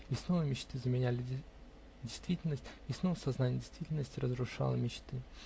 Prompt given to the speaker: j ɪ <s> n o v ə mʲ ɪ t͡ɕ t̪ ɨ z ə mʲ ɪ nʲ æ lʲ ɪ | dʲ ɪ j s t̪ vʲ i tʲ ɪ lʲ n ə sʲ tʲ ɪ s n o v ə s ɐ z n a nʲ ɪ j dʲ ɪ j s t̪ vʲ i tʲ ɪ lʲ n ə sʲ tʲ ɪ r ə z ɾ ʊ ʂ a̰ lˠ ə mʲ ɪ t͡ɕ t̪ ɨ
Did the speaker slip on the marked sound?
no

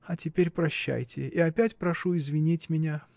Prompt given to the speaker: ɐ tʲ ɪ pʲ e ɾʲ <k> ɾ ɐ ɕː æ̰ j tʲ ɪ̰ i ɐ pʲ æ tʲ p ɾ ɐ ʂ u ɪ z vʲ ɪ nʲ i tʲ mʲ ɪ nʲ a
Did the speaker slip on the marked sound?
yes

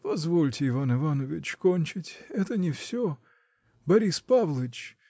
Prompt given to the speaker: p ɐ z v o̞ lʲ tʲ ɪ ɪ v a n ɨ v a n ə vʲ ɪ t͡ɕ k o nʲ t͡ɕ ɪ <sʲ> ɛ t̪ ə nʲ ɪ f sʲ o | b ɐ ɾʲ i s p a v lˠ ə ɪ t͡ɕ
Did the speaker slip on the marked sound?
yes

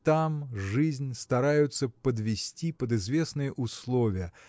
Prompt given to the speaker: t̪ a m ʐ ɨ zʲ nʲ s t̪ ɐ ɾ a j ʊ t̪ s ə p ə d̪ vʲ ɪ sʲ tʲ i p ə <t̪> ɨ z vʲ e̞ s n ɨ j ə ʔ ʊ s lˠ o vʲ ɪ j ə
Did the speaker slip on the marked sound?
yes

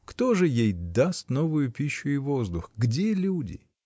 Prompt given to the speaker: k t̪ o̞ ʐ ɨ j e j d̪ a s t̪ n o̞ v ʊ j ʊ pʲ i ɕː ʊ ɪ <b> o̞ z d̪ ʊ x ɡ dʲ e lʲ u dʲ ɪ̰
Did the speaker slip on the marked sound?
yes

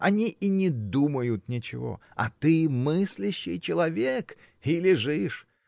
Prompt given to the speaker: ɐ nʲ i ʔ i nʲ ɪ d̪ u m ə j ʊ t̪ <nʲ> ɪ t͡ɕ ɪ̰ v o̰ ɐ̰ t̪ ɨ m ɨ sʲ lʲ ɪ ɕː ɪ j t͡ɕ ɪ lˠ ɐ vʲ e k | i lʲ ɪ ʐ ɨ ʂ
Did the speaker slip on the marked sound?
no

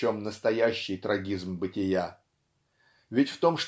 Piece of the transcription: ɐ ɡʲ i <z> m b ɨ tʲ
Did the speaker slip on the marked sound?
no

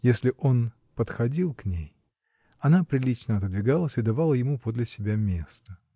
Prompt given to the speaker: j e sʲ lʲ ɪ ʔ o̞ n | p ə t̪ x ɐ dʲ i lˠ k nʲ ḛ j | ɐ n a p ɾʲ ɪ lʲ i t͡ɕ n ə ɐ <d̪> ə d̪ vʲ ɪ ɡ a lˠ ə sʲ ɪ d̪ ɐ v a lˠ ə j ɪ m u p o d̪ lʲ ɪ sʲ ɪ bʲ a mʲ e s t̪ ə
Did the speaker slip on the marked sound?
yes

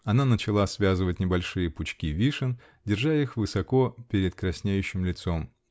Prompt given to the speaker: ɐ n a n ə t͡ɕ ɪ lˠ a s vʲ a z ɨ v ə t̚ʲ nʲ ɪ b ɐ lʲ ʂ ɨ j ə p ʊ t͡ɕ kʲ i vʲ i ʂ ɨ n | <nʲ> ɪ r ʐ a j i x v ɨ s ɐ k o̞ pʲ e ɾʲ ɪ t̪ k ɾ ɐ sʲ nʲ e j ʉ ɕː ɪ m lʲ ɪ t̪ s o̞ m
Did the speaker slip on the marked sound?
yes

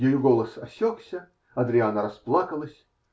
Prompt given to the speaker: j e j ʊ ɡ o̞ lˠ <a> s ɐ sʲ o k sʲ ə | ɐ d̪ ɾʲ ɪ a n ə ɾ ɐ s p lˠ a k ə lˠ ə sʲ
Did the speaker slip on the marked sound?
yes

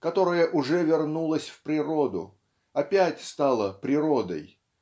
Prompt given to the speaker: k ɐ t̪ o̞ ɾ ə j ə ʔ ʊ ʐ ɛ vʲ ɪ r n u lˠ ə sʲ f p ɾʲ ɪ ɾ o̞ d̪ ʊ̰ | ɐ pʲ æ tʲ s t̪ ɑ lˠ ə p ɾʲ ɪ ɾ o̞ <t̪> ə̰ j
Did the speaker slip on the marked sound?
yes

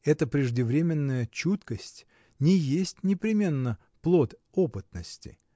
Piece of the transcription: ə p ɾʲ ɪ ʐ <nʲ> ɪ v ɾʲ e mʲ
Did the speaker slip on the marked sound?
yes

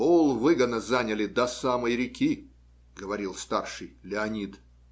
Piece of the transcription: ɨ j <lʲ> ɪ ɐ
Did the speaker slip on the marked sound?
no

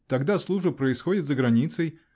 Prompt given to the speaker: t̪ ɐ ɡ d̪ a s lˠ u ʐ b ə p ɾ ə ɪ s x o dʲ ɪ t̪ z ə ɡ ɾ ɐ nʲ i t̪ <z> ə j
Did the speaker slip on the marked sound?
yes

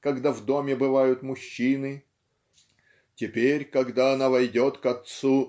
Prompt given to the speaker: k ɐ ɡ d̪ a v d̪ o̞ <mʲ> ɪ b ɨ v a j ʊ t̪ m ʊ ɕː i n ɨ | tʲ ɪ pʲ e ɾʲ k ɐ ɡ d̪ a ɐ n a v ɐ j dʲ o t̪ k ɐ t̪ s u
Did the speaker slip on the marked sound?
no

